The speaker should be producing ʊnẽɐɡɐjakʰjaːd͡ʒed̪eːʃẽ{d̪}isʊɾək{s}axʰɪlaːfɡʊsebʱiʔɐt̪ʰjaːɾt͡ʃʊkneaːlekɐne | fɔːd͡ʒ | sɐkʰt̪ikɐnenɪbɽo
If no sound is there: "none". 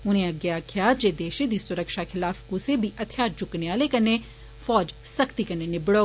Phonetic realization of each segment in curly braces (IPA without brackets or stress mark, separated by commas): d̪, ʃ